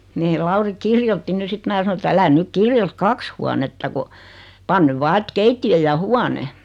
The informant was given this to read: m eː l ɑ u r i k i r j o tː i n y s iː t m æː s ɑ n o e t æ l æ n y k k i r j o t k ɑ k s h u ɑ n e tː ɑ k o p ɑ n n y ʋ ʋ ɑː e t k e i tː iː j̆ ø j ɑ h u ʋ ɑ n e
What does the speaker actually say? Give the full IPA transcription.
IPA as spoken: m eː l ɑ u r i k i r j o tː i n y s i t m æː s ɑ n o e t æ l æ n y k k i r j o t k ɑ k s h u ɑ n e tː ɑ k o p ɑ n n y ʋ ʋ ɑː e t k e i tː i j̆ ø j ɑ h u ɑ n e